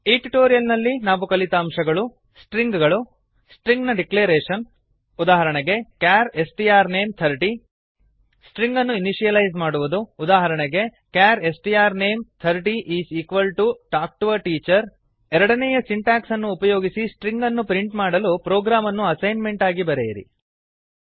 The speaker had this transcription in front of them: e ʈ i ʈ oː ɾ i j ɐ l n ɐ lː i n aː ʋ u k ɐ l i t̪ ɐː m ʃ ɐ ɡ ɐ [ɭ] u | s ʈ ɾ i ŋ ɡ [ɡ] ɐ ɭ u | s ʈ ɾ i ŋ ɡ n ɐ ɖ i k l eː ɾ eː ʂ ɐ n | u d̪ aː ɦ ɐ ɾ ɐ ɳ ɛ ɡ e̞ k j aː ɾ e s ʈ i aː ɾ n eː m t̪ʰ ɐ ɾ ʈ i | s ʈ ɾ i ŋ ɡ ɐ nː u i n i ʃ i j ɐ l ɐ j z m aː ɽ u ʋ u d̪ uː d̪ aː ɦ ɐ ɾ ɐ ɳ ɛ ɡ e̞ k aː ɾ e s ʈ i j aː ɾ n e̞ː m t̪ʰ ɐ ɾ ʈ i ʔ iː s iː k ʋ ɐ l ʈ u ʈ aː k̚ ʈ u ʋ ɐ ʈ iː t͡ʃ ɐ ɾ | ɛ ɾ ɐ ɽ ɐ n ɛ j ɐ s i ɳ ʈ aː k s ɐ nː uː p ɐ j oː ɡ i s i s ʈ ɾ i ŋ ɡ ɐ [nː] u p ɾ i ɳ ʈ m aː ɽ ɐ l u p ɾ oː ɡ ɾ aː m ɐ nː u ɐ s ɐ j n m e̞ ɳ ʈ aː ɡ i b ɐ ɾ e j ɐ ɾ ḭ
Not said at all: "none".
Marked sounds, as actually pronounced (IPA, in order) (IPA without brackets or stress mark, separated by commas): ɭ, ɡ, nː